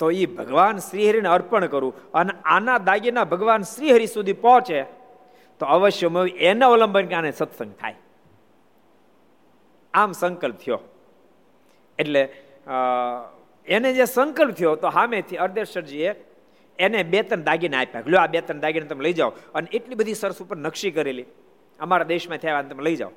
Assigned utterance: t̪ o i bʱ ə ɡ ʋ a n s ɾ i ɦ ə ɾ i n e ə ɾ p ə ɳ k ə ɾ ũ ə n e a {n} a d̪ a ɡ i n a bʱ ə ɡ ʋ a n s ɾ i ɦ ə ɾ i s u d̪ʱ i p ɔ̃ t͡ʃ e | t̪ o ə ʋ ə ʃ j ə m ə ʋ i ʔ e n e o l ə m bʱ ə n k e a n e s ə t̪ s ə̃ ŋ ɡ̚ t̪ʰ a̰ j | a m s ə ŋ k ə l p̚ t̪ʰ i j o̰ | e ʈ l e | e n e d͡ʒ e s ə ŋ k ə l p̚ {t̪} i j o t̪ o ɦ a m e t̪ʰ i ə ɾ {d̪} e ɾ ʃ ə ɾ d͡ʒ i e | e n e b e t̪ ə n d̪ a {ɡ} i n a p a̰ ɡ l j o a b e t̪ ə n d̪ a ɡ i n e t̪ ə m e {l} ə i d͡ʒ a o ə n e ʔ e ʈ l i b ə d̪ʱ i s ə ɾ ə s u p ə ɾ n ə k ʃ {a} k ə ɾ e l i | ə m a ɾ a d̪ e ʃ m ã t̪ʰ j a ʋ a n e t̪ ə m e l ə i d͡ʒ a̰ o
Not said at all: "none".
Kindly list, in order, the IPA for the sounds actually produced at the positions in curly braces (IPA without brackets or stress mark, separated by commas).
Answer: n, t̪ʰ, d̪, ɡ, l, i